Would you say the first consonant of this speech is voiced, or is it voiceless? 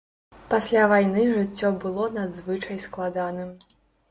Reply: voiceless